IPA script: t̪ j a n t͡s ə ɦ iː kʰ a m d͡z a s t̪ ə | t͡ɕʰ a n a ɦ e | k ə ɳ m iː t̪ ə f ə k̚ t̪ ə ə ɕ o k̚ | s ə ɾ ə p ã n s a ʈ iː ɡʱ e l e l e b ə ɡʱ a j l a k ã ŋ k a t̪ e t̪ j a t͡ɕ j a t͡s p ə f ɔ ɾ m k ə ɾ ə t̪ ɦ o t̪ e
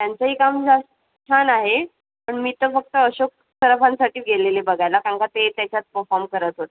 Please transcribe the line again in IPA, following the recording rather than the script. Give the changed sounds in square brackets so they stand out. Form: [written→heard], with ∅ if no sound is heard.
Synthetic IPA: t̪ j a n t͡s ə ɦ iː [kʰ→k] a m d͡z a s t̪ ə | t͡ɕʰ a n a ɦ e | [k→p] ə ɳ m iː t̪ ə f ə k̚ t̪ ə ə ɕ o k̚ | s ə ɾ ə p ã n s a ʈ iː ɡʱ e l e l e b ə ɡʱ a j l a k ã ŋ k a t̪ e t̪ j a t͡ɕ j a t͡s p ə f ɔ ɾ m k ə ɾ ə t̪ ɦ o t̪ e